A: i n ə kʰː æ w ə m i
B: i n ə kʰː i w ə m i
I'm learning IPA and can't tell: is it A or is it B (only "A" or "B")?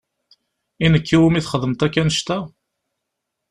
B